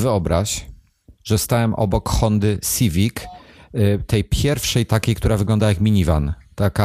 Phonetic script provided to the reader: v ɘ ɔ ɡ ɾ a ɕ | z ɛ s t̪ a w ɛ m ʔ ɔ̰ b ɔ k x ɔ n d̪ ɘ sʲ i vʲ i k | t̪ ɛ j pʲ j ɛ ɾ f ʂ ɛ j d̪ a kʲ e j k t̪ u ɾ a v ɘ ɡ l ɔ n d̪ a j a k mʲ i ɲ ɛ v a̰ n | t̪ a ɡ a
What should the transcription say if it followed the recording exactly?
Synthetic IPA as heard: v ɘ ɔ b ɾ a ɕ | ʐ ɛ s t̪ a w ɛ m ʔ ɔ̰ b ɔ k x ɔ n d̪ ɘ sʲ i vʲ i k | t̪ ɛ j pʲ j ɛ ɾ f ʂ ɛ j t̪ a kʲ e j k t̪ u ɾ a v ɘ ɡ l ɔ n d̪ a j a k mʲ i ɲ i v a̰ n | t̪ a k a